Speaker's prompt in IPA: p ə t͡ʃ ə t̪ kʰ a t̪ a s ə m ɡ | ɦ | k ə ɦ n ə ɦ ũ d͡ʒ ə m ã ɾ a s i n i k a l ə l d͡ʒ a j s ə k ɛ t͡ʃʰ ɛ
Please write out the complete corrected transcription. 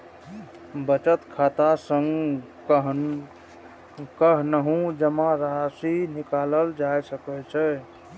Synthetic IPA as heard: b ə t͡ʃ ə t̪ kʰ a t̪ a s ə ŋ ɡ | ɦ | k ə ɦ n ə ɦ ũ d͡ʒ ə m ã ɾ a s i n i k a l ə l d͡ʒ a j s ə k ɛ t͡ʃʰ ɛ